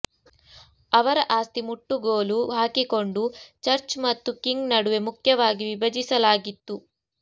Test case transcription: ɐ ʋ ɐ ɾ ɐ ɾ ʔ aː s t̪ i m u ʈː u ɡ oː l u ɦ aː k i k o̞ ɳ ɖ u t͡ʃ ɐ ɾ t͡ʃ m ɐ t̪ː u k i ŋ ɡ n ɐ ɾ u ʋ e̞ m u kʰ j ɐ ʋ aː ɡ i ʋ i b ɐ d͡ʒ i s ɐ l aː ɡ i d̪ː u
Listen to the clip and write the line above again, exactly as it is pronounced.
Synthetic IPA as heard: ɐ ʋ ɐ ɾ ɐ ʔ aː s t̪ i m u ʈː u ɡ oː l u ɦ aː k i k o̞ ɳ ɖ u t͡ʃ ɐ ɾ t͡ʃ m ɐ t̪ː u k i ŋ ɡ n ɐ ɽ u ʋ e̞ m u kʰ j ɐ ʋ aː ɡ i ʋ i b ɐ d͡ʒ i s ɐ l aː ɡ i t̪ː u